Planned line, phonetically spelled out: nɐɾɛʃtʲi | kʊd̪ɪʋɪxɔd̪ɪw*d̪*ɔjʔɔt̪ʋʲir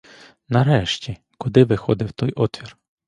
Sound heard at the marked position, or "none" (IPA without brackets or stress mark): t̪